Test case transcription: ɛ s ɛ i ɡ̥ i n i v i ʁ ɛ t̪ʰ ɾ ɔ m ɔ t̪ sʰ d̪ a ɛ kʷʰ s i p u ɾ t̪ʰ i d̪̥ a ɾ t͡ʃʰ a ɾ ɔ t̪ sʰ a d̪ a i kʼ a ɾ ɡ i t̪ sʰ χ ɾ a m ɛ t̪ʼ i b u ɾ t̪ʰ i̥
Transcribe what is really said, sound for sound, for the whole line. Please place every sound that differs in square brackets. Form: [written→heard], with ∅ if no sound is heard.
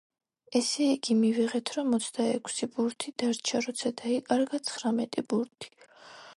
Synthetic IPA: ɛ s ɛ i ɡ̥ i [n→m] i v i ʁ ɛ t̪ʰ ɾ ɔ m ɔ t̪ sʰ d̪ a ɛ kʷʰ s i [p→b] u ɾ t̪ʰ i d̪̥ a ɾ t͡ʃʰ a ɾ ɔ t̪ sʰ a d̪ a i kʼ a ɾ ɡ [i→a] t̪ sʰ χ ɾ a m ɛ t̪ʼ i b u ɾ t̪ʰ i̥